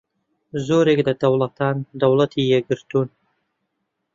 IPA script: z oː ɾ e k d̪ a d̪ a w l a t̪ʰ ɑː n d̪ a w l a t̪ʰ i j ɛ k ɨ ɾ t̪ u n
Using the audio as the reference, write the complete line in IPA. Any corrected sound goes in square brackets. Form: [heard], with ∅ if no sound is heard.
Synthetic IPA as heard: z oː ɾ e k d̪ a d̪ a w l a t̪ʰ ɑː n d̪ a w l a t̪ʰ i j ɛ [ɡ] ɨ ɾ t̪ u n